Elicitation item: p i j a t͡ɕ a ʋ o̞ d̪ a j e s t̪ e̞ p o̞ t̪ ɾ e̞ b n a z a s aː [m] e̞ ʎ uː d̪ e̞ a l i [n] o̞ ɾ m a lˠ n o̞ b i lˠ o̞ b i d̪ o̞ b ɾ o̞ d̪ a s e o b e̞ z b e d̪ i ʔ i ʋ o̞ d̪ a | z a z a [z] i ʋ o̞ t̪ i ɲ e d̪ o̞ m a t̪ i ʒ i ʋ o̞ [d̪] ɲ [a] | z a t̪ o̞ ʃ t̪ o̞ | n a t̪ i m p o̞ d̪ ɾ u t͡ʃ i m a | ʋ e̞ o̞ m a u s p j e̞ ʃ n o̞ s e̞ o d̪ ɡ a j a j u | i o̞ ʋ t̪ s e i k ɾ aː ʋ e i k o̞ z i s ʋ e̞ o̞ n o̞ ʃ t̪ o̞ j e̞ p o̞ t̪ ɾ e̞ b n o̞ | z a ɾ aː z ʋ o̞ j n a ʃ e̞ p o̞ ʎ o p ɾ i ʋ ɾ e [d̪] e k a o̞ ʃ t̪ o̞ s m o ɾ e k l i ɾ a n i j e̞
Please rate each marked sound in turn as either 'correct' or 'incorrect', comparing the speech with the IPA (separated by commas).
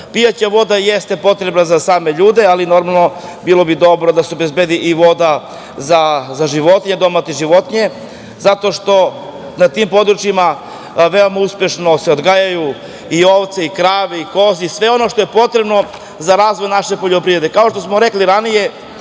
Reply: correct, correct, incorrect, incorrect, incorrect, correct